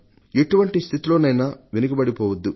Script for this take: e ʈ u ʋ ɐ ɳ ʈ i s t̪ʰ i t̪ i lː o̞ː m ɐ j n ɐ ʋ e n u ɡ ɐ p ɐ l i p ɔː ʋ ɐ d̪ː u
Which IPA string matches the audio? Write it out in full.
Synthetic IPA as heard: e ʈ u ʋ ɐ ɳ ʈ i s t̪ʰ i t̪ i l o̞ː n ɐ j n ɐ ʋ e n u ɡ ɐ b ɐ ɽ i p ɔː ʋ ɐ d̪ː u